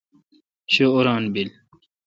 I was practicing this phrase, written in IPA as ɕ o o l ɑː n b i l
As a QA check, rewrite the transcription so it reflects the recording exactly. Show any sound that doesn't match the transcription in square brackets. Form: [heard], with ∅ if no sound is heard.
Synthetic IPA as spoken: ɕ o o [ɾ] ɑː n b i l